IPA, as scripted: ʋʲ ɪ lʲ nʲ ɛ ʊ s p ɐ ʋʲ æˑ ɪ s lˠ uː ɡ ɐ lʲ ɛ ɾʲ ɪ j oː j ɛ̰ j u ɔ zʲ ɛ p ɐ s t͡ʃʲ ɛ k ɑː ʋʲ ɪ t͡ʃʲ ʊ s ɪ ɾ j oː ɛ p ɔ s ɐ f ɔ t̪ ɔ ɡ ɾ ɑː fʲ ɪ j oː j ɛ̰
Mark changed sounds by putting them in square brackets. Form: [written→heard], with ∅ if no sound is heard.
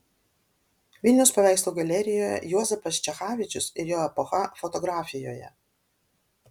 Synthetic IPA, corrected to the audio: ʋʲ ɪ lʲ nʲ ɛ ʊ s p ɐ ʋʲ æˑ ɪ s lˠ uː ɡ ɐ lʲ ɛ ɾʲ ɪ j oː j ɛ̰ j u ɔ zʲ ɛ p ɐ s t͡ʃʲ ɛ [k→x] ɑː ʋʲ ɪ t͡ʃʲ ʊ s ɪ ɾ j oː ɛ p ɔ [s→x] ɐ f ɔ t̪ ɔ ɡ ɾ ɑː fʲ ɪ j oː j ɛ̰